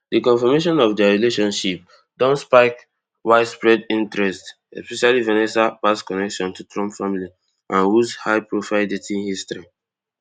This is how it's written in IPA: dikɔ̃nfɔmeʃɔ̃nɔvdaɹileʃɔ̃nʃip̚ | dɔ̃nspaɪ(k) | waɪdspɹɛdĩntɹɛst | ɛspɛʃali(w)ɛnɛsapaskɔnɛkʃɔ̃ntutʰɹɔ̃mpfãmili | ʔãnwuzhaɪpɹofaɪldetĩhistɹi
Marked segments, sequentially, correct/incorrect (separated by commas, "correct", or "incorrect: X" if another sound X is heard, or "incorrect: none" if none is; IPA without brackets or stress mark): correct, incorrect: v